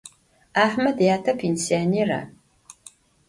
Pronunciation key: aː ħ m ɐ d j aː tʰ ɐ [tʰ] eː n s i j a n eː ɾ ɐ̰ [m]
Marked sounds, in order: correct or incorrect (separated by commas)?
incorrect, incorrect